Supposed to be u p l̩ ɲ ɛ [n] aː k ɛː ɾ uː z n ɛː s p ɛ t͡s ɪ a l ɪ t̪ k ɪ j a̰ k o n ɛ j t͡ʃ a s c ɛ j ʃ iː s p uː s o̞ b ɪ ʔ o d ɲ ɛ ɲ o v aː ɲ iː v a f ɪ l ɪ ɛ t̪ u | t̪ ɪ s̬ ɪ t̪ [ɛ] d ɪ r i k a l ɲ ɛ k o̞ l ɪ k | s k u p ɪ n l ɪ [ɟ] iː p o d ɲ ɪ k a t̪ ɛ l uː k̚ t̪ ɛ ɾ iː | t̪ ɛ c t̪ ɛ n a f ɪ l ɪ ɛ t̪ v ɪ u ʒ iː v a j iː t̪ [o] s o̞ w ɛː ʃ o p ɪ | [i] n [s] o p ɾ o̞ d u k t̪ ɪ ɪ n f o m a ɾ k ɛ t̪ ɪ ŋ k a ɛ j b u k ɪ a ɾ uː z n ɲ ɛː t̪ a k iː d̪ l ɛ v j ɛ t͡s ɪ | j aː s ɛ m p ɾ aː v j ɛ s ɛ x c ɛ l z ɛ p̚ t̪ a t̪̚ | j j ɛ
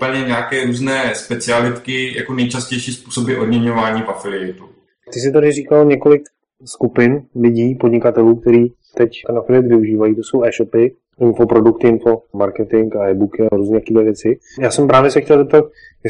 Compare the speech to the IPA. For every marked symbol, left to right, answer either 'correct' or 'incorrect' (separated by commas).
incorrect, incorrect, correct, correct, incorrect, incorrect